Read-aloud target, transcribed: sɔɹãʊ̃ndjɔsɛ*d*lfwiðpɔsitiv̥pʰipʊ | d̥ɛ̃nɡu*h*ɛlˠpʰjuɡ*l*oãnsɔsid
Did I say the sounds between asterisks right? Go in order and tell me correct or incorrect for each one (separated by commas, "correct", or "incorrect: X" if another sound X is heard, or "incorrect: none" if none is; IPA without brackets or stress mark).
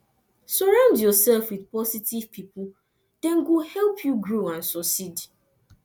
incorrect: none, correct, incorrect: ɹ